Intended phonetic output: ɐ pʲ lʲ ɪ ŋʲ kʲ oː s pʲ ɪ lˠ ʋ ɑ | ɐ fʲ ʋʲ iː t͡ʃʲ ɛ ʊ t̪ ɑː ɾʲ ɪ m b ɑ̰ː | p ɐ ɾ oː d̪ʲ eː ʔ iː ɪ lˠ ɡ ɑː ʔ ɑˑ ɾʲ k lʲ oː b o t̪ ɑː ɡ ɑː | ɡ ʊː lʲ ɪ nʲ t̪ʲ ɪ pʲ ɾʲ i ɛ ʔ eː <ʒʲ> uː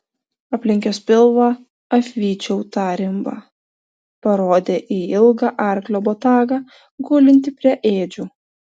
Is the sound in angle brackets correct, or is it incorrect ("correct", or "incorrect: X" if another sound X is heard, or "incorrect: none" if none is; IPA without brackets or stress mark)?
incorrect: d͡ʒʲ